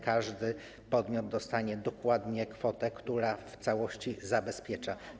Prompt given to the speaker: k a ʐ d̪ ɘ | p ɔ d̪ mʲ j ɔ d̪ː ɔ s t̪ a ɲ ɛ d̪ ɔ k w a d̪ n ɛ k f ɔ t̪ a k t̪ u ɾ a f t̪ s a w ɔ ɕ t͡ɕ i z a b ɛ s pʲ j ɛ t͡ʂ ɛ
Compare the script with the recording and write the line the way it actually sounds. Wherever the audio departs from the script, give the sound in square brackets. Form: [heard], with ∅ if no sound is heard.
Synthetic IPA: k a ʐ d̪ ɘ | p ɔ d̪ mʲ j ɔ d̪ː ɔ s t̪ a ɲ ɛ d̪ ɔ k w a d̪ [ɲ] ɛ k f ɔ t̪ [ɛ] k t̪ u ɾ a f t̪ s a w ɔ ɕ t͡ɕ i z a b ɛ s pʲ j ɛ t͡ʂ [a]